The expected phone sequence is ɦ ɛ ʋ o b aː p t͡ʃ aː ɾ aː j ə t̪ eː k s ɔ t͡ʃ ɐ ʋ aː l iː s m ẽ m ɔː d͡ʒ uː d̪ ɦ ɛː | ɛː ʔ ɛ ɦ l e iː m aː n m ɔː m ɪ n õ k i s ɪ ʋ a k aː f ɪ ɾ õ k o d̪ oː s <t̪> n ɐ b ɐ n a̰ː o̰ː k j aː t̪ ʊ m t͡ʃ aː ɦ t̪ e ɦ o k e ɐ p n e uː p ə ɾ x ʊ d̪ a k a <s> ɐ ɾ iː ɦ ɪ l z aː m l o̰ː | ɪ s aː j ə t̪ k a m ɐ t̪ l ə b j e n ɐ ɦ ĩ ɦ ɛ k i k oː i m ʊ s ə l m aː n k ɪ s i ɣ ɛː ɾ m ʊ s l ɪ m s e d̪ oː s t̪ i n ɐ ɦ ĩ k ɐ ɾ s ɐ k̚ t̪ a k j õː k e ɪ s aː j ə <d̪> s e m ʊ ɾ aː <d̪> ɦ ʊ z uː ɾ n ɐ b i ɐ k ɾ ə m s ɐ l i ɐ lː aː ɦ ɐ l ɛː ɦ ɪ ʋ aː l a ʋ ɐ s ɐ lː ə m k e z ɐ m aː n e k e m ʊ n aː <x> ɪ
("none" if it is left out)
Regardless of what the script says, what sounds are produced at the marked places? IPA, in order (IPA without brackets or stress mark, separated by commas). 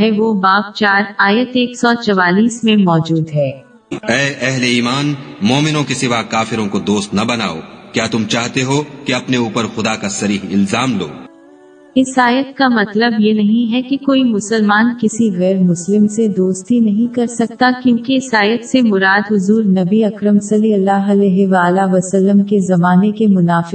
t̪, s, t̪, d̪, f